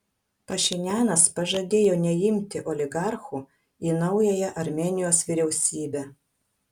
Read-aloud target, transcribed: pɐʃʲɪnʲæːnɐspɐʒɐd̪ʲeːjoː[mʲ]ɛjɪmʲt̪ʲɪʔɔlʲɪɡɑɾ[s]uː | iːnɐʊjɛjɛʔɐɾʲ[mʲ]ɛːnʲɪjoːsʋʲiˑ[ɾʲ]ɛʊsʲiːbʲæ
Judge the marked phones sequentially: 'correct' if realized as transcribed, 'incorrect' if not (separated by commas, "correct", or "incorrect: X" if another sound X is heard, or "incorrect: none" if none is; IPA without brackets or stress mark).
incorrect: nʲ, incorrect: x, correct, correct